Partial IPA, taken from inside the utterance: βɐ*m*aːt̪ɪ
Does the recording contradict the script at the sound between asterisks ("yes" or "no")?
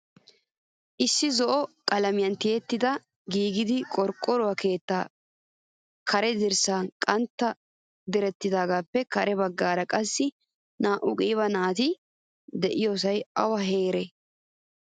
yes